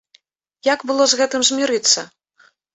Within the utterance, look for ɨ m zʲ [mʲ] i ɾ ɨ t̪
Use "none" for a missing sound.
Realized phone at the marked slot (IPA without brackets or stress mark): mʲ